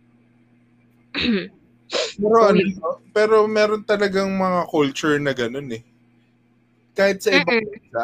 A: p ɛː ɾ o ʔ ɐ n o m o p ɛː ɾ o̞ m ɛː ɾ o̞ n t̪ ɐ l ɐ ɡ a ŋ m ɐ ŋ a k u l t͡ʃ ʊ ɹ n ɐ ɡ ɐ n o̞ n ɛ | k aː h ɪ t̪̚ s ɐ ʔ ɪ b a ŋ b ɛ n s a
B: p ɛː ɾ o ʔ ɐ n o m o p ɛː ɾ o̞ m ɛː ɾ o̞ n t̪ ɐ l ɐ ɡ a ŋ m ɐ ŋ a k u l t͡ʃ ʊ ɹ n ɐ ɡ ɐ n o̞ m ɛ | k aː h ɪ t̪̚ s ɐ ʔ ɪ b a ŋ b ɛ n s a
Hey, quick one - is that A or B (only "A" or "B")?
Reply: A